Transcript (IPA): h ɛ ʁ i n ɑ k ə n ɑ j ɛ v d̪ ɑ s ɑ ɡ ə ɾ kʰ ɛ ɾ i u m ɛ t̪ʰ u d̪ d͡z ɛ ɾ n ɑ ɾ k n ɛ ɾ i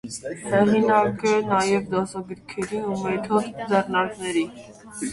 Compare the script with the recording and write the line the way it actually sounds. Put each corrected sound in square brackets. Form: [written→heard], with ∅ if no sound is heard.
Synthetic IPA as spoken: h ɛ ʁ i n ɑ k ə n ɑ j ɛ v d̪ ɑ s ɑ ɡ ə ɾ kʰ ɛ ɾ i u m ɛ t̪ʰ [u→ɔ] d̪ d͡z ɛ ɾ n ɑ ɾ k n ɛ ɾ i